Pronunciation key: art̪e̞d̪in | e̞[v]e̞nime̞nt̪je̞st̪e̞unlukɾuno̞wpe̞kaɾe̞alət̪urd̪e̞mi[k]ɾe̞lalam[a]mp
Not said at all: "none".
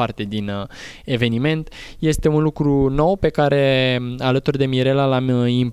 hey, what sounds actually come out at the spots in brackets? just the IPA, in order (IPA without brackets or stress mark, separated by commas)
v, none, i